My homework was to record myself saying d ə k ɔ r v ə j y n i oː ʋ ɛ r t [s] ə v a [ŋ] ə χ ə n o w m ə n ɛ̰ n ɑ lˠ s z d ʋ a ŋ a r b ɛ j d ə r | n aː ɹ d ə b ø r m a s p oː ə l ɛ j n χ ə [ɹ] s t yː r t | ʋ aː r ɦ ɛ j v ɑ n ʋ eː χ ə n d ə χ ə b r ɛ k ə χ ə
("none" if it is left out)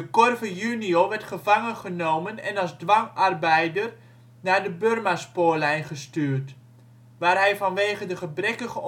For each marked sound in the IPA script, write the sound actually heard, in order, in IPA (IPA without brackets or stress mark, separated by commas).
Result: χ, ŋ, none